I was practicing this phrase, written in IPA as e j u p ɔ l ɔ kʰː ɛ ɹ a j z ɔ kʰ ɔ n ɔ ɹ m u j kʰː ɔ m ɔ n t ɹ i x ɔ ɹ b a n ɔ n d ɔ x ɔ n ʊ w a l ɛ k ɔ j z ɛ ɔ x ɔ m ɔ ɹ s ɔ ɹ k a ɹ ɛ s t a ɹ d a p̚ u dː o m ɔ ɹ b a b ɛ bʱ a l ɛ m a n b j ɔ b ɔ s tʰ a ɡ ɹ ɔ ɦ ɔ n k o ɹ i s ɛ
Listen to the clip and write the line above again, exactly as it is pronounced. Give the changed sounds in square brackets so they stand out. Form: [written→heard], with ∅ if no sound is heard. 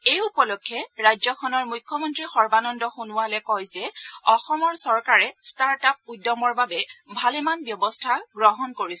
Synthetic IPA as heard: e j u p ɔ l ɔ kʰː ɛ ɹ a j z ɔ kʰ ɔ n ɔ ɹ m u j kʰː ɔ m ɔ n t ɹ i x ɔ ɹ b a n ɔ n d ɔ x [ɔ→u] n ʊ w a l ɛ k ɔ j z ɛ ɔ x ɔ m ɔ ɹ s ɔ ɹ k a ɹ ɛ s t a ɹ [d→t] a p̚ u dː [o→ɔ] m ɔ ɹ b a b ɛ bʱ a l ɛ m a n b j ɔ b ɔ s tʰ a ɡ ɹ ɔ ɦ ɔ n k o ɹ i s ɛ